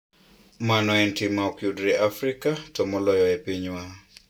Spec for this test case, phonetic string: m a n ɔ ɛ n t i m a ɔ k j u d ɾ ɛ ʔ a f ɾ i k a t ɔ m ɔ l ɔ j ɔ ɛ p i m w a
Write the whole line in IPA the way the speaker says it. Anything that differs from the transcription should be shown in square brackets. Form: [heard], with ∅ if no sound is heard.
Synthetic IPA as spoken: m a n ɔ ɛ n t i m a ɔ k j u d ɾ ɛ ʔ a f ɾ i k a t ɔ m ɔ l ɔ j ɔ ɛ p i [ɲ] w a